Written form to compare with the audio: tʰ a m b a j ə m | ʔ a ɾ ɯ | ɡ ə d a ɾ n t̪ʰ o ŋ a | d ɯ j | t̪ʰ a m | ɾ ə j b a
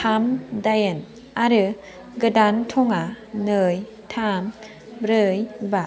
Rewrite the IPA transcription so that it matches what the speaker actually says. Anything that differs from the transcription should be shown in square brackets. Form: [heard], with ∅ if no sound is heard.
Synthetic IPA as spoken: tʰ a m [d] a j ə [n] | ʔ a ɾ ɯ | ɡ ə d a [∅] n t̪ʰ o ŋ a | [n] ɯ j | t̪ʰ a m | ɾ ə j b a